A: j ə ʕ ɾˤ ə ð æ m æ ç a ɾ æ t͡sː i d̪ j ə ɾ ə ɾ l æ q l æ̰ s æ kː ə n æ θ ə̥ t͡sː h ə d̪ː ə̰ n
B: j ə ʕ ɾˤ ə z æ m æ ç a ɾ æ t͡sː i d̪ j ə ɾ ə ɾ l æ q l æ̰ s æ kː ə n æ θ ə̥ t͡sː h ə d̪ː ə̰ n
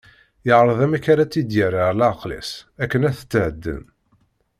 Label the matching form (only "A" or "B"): A